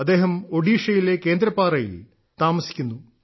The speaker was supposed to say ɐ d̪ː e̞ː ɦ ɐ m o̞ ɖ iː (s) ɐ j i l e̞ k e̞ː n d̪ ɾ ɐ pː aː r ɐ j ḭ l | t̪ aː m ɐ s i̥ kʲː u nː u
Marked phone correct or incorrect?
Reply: incorrect